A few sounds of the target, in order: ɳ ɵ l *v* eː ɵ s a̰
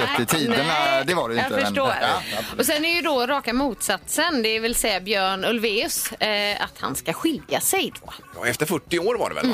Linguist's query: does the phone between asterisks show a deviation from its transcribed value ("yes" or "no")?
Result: no